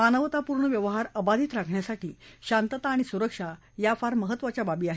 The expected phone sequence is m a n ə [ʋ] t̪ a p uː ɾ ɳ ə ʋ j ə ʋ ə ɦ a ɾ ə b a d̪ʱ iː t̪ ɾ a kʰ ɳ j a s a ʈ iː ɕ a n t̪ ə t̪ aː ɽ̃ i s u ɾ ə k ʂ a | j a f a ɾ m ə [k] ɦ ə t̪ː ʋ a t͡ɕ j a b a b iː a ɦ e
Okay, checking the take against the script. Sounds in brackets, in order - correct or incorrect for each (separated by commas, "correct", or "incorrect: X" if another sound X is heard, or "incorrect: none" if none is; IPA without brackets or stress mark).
correct, incorrect: none